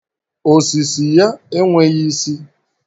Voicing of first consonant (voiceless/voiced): voiceless